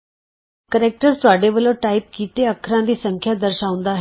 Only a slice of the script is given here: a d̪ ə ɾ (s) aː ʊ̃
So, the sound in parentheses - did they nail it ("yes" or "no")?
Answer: no